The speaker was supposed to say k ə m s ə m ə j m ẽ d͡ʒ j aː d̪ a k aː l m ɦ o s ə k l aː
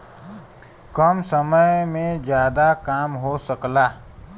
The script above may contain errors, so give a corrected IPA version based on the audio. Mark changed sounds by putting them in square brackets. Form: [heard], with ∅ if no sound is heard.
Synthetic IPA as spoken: k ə m s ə m ə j m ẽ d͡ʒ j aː d̪ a k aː [∅] m ɦ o s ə k l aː